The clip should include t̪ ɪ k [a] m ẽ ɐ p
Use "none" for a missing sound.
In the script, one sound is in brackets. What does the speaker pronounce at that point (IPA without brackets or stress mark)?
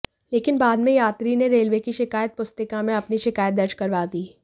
a